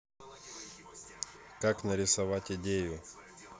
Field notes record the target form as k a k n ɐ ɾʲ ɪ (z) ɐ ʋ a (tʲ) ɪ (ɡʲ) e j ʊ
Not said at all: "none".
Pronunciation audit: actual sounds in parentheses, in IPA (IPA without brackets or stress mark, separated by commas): s, tʲ, dʲ